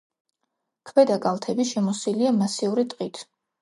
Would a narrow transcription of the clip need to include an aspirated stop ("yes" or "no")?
yes